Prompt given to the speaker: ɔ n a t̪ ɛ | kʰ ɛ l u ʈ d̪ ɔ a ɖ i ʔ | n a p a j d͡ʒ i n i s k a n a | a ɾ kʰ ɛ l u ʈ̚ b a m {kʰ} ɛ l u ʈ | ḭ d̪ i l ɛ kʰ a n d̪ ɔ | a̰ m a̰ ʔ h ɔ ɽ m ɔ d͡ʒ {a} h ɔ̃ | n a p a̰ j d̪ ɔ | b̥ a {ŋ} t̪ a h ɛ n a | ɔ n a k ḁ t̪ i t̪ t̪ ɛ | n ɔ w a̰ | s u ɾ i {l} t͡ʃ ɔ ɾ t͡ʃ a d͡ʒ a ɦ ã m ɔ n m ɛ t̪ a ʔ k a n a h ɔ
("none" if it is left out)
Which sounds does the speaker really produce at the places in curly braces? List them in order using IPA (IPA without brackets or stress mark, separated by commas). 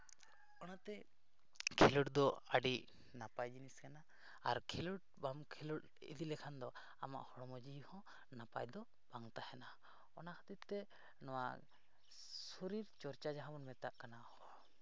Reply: kʰ, i, ŋ, ɾ